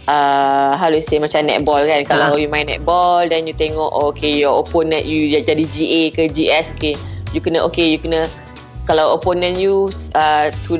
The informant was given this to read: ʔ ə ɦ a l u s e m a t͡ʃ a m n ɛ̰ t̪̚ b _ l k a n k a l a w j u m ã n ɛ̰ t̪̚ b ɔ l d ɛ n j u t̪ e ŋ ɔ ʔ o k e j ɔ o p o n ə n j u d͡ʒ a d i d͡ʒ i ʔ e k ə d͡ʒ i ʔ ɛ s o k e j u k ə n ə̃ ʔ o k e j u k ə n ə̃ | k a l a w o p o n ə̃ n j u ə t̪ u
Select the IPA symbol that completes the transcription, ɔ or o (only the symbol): ɔ